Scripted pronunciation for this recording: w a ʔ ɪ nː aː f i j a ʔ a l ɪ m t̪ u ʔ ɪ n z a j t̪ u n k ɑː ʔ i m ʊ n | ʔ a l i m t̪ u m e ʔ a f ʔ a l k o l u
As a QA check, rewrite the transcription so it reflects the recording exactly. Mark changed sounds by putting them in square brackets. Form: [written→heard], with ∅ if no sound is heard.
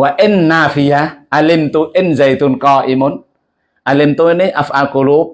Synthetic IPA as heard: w a ʔ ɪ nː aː f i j a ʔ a l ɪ m t̪ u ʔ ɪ n z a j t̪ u n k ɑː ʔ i m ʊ n | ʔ a l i m t̪ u [m→n] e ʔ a f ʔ a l k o l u

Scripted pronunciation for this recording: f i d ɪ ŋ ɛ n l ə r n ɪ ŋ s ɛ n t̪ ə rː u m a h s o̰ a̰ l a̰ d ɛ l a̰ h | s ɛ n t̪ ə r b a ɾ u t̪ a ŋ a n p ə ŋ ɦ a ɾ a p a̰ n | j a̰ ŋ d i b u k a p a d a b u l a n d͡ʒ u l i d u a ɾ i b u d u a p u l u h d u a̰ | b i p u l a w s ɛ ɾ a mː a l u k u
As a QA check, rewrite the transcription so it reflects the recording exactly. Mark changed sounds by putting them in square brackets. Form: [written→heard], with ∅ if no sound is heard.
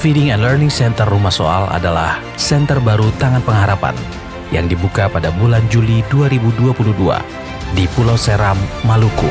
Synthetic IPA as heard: f i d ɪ ŋ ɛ n l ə r n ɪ ŋ s ɛ n t̪ ə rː u m a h s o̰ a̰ l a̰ d [ɛ→a] l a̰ h | s ɛ n t̪ ə r b a ɾ u t̪ a ŋ a n p ə ŋ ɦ a ɾ a p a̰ n | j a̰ ŋ d i b u k a p a d a b u l a n d͡ʒ u l i d u a ɾ i b u d u a p u l u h d u a̰ | [b→d] i p u l a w s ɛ ɾ a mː a l u k u

